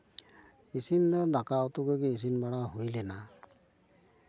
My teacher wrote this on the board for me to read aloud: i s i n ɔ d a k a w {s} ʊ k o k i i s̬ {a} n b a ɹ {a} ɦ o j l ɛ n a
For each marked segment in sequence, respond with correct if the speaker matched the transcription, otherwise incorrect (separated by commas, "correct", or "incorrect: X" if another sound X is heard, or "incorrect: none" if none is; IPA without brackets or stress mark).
incorrect: t, incorrect: i, correct